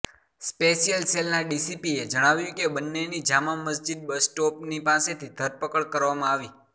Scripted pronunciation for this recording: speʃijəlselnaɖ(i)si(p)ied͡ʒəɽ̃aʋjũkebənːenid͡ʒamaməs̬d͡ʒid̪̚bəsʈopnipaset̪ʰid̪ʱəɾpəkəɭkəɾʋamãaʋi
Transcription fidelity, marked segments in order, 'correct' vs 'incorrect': correct, correct

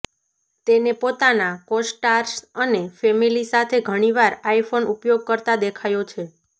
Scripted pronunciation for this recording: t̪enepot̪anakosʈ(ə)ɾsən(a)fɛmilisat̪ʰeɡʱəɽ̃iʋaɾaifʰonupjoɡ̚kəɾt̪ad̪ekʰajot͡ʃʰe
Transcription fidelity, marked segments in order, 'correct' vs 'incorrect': incorrect, incorrect

